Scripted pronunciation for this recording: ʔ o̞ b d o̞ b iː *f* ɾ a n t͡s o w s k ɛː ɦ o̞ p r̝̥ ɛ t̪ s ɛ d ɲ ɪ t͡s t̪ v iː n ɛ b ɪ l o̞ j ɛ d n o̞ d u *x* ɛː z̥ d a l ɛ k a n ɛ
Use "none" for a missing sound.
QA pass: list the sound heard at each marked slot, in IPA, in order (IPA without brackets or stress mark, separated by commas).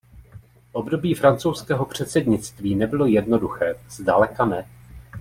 f, x